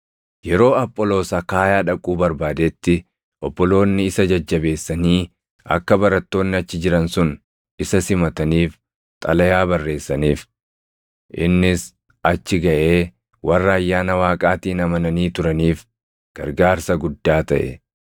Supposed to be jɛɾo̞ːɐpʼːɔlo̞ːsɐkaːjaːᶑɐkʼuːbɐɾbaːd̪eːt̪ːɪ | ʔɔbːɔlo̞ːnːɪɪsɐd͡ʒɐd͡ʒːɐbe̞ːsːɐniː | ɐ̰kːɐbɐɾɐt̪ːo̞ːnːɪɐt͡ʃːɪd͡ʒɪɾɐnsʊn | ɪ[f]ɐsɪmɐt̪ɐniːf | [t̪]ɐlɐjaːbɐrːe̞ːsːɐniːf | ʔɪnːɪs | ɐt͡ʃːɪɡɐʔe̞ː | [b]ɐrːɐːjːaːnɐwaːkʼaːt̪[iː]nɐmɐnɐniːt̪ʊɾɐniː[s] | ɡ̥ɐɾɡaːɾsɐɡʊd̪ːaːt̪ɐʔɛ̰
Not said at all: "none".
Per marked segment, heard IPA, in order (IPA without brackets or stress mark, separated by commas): s, t̪ʼ, w, iː, f